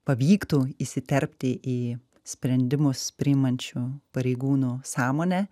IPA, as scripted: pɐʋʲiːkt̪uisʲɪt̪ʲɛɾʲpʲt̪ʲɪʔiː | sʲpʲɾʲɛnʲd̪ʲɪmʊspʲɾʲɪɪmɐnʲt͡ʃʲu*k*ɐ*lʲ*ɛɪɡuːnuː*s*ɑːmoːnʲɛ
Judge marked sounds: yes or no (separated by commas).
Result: no, no, yes